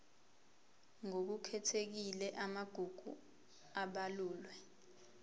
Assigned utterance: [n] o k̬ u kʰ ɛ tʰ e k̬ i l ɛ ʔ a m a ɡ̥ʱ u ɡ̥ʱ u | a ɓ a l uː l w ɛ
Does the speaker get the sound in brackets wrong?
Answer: yes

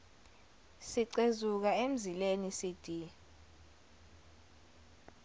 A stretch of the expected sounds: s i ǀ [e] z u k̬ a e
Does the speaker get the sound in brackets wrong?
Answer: no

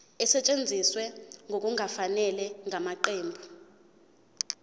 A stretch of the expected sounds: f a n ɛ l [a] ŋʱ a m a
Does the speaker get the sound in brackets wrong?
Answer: yes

